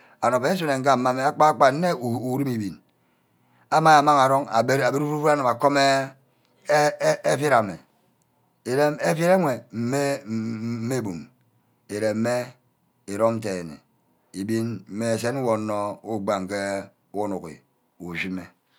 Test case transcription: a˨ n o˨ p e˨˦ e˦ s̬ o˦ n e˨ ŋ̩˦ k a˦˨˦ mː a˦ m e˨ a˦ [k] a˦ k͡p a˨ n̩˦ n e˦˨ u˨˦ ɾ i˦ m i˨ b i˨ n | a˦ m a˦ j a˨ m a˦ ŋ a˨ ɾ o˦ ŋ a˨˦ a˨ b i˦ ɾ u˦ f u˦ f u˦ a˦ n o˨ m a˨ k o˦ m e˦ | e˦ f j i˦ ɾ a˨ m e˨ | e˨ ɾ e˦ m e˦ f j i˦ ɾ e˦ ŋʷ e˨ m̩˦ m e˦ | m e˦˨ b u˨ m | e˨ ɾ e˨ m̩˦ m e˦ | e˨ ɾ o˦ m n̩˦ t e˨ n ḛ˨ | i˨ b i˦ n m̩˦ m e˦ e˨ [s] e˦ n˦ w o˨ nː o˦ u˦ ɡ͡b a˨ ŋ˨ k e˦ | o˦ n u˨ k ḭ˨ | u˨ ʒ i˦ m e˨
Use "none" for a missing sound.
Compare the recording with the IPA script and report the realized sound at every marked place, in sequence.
k͡p, s

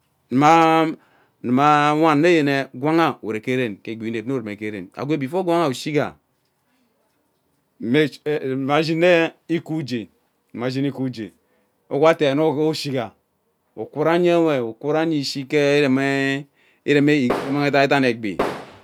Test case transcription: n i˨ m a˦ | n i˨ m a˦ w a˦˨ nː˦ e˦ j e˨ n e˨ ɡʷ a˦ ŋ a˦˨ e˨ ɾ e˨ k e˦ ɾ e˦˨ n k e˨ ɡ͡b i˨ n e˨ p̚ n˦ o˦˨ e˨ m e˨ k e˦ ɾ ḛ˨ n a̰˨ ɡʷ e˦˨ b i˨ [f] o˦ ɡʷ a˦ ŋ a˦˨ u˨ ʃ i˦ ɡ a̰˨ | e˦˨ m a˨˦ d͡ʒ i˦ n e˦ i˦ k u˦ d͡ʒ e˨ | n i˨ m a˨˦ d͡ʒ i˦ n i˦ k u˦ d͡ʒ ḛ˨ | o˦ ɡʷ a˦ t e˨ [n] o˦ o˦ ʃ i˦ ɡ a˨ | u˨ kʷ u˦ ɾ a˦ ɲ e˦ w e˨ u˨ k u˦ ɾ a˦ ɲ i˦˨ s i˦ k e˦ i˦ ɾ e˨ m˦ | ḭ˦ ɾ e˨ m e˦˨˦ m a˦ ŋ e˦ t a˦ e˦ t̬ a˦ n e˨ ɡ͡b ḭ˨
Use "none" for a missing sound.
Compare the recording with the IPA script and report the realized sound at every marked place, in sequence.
f, n

